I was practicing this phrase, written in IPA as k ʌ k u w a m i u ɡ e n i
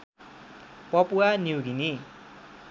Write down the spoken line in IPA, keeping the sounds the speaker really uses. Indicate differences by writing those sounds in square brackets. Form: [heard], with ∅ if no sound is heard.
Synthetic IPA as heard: [p] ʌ [p] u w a [n] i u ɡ [i] n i